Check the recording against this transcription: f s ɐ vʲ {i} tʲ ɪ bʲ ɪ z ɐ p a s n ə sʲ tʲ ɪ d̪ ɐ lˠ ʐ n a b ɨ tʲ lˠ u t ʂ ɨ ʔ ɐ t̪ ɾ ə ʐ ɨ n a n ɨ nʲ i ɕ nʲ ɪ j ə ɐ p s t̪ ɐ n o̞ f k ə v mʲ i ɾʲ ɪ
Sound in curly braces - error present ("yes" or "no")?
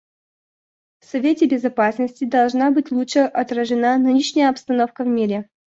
yes